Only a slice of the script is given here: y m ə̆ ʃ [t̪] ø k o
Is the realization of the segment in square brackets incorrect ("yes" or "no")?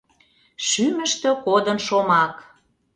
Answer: no